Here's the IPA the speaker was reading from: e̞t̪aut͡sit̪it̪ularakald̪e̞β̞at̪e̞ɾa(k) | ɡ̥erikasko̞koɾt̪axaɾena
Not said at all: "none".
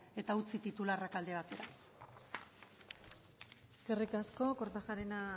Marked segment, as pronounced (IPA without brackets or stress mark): none